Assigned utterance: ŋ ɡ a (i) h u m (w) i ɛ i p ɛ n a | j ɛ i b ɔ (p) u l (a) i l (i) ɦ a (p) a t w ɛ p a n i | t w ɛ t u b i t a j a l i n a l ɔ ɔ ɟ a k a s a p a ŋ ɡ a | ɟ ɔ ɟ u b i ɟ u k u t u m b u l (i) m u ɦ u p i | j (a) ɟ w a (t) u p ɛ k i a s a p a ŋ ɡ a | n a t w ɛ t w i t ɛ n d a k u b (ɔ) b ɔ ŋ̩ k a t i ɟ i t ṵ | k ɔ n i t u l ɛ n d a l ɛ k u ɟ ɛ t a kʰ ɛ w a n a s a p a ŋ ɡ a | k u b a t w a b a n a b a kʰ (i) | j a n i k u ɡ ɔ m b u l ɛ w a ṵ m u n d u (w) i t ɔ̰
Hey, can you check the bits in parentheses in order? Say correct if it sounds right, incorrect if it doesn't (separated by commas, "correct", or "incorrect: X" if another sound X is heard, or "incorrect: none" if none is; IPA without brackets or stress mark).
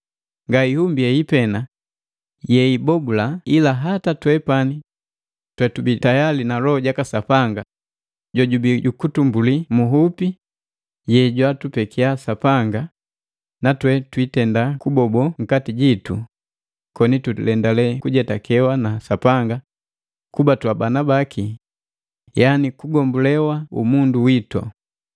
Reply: correct, incorrect: b, incorrect: b, correct, incorrect: a, incorrect: t, correct, incorrect: ɛ, correct, correct, correct, correct